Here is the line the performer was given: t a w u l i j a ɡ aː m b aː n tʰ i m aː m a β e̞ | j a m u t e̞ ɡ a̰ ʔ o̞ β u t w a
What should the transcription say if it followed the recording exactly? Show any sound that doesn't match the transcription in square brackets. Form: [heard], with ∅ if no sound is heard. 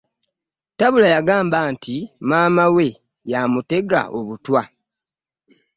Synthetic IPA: t a [β] u l [a] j a ɡ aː m b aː n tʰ i m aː m a [w] e̞ | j a m u t e̞ ɡ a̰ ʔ o̞ β u t w a